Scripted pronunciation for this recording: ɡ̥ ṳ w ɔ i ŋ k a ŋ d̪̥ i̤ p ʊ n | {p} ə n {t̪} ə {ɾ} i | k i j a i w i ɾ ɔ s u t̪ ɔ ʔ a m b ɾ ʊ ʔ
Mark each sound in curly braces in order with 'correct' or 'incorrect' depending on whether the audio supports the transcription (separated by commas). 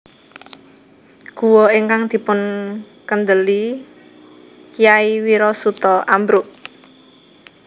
incorrect, incorrect, incorrect